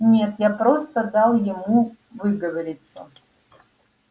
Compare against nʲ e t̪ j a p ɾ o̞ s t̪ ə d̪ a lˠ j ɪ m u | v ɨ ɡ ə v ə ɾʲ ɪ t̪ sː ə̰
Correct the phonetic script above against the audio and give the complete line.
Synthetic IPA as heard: nʲ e t̪ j a p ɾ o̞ s t̪ ə d̪ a lˠ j ɪ m u | v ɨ ɡ ə v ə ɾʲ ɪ t̪ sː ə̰